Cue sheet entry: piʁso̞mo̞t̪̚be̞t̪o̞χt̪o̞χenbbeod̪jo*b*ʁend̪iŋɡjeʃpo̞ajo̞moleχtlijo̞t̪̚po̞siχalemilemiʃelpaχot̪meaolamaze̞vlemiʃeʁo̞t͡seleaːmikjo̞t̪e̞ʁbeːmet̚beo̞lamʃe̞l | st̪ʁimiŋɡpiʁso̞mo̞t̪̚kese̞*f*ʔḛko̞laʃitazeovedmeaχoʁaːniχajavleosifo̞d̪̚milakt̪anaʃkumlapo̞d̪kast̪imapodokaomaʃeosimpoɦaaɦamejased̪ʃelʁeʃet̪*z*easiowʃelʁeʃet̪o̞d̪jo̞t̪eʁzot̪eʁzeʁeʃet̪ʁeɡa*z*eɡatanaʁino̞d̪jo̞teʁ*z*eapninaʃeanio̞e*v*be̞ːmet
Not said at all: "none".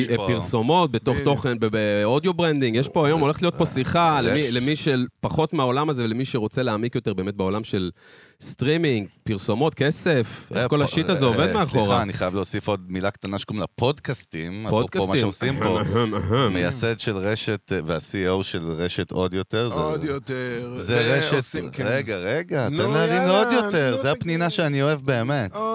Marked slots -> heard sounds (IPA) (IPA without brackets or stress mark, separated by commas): b, f, v, ʁ, z, v